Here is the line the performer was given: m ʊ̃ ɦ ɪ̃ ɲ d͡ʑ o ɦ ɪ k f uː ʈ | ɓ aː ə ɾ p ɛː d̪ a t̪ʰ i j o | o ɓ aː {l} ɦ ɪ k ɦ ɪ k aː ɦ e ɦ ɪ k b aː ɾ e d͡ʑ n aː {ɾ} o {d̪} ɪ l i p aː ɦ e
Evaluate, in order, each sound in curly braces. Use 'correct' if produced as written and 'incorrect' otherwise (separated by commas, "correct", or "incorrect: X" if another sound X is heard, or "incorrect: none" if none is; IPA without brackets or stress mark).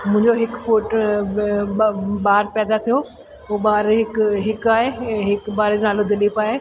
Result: incorrect: ɾ, incorrect: l, correct